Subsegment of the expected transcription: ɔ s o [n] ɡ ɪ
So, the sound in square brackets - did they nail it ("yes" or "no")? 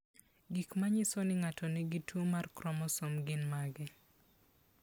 no